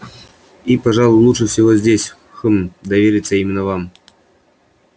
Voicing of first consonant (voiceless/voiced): voiceless